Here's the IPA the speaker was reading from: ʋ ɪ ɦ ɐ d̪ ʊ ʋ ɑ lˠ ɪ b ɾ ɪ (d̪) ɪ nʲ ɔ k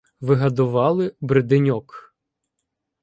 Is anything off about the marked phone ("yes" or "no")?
no